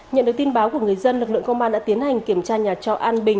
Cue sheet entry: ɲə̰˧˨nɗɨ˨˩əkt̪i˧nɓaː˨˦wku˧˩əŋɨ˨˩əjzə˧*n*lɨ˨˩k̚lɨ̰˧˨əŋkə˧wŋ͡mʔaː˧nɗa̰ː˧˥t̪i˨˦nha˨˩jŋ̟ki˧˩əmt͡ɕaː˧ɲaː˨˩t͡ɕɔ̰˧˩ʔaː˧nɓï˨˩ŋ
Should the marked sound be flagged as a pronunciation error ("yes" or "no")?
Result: no